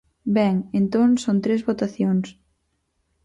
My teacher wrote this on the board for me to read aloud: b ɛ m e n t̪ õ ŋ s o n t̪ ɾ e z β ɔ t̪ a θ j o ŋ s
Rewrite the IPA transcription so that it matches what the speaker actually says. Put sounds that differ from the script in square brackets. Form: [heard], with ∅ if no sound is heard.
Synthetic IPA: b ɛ [ŋ] e n t̪ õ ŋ s o n t̪ ɾ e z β [o] t̪ a θ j o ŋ s